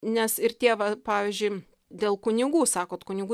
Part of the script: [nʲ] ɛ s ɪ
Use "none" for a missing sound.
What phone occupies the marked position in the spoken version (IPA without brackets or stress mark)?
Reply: nʲ